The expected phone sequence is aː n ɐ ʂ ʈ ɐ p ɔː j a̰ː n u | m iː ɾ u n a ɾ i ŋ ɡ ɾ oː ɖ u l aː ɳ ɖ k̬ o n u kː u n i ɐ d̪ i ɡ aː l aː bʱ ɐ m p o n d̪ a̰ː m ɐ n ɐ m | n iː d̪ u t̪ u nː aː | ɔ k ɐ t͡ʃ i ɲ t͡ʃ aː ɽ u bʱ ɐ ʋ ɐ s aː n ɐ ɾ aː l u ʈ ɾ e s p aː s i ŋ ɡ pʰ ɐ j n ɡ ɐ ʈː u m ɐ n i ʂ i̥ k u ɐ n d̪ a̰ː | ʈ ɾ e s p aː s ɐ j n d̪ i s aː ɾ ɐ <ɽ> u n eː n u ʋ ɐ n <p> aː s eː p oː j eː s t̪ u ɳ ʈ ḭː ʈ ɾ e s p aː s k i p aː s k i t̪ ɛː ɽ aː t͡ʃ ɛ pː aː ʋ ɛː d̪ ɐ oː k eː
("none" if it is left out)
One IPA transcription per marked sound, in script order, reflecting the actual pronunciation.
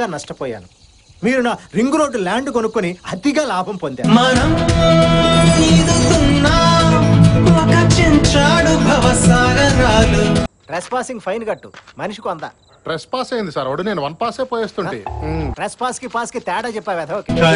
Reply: ɽ, p

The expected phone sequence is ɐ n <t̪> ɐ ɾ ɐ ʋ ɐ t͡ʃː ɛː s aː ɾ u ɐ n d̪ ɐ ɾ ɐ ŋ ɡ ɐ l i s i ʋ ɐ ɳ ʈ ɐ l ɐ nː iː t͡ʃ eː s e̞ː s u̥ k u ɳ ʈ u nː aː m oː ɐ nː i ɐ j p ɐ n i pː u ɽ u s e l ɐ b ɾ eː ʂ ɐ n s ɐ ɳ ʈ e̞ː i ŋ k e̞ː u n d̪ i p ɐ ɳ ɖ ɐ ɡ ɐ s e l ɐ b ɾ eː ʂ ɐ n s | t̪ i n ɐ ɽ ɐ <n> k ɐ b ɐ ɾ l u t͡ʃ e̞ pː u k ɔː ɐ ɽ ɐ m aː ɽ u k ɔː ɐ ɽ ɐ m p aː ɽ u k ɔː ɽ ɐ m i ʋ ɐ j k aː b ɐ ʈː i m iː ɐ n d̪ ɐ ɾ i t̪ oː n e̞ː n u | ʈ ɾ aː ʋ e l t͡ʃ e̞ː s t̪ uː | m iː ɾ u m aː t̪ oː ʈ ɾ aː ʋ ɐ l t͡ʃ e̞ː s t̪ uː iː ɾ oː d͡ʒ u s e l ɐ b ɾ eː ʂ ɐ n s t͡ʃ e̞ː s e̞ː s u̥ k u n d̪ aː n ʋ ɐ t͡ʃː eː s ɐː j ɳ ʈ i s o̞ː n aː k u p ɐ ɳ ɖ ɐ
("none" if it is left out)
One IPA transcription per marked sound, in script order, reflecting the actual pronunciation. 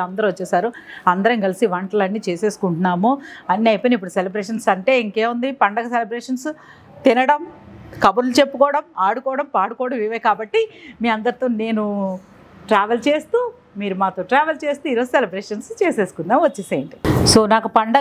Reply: d̪, m

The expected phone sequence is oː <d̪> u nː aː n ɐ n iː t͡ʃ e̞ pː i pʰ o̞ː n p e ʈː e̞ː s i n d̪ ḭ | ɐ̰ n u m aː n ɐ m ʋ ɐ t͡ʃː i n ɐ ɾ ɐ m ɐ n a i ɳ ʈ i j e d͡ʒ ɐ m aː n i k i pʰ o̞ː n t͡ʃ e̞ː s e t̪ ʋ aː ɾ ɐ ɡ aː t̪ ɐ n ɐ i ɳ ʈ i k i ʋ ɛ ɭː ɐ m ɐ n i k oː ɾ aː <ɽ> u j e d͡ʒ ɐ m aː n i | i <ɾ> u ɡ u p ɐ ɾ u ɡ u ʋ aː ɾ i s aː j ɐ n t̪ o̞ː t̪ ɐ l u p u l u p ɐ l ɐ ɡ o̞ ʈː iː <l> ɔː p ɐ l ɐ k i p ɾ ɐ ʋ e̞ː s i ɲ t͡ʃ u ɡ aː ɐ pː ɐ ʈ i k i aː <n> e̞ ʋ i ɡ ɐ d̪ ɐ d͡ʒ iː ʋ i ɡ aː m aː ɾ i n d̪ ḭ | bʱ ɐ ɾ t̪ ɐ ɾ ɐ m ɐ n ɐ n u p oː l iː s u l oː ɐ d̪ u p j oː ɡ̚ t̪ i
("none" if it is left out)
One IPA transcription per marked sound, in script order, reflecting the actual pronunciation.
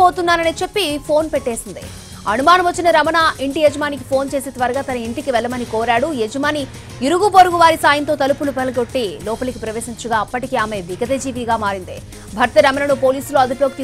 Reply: t̪, ɽ, ɾ, l, m

